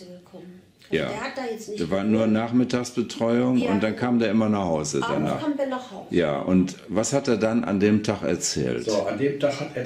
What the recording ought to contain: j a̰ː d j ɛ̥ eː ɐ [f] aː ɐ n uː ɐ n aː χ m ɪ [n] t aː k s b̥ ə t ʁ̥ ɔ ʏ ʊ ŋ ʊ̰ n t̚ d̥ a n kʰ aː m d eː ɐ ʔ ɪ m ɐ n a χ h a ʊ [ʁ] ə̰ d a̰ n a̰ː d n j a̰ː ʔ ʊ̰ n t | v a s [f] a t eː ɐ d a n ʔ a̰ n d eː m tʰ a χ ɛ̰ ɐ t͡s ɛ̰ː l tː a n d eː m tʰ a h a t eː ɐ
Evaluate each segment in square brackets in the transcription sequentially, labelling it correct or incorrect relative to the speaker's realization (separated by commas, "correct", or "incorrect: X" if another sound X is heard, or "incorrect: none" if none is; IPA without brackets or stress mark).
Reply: incorrect: v, incorrect: none, incorrect: z, incorrect: h